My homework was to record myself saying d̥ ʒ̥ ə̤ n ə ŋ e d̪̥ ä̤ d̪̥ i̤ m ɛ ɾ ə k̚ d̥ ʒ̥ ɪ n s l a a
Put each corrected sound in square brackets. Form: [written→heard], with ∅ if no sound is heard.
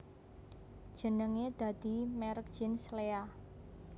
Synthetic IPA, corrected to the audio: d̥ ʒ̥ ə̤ n ə ŋ e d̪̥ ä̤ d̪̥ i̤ m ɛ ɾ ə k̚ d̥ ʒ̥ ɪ n s l [a→e] a